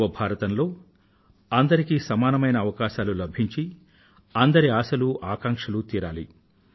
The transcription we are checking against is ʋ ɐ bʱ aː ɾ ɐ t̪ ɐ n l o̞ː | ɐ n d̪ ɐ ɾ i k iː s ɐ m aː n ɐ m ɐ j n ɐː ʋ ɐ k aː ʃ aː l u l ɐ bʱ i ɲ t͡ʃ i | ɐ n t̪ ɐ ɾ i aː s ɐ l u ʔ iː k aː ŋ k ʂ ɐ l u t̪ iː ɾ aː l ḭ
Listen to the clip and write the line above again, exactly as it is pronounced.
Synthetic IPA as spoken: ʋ ɐ bʱ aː ɾ ɐ t̪ ɐ n l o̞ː | ɐ n d̪ ɐ ɾ i k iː s ɐ m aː n ɐ m ɐ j n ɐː ʋ ɐ k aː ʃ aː l u l ɐ bʱ i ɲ t͡ʃ i | ɐ n d̪ ɐ ɾ i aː s ɐ l u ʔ aː k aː ŋ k ʂ ɐ l u t̪ iː ɾ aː l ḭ